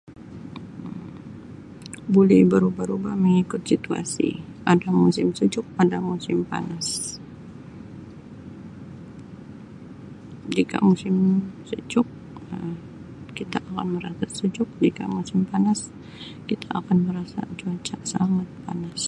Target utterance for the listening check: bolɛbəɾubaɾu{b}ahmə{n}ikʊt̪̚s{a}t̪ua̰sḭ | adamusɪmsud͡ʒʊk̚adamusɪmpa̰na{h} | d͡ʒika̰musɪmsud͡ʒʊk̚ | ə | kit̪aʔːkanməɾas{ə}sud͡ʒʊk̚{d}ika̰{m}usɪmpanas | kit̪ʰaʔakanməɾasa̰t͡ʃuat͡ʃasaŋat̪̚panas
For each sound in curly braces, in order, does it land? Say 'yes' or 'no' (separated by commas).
yes, no, no, no, no, no, yes